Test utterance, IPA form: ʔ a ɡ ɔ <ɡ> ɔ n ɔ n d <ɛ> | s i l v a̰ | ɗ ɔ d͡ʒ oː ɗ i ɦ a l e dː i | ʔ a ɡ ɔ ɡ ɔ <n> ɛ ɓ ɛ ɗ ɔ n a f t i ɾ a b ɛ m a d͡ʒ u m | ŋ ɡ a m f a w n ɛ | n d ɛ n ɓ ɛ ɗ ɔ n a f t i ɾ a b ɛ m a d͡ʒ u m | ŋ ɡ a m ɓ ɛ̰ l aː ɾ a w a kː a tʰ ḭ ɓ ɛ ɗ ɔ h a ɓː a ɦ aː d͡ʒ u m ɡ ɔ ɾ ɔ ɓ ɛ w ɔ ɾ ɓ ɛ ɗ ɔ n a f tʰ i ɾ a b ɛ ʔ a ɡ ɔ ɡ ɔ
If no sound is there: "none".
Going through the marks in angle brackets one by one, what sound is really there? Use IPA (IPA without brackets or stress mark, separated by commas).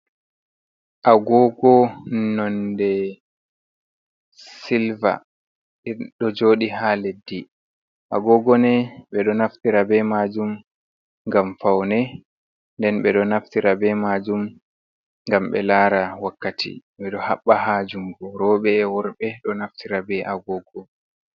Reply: ɡ, ɛ, n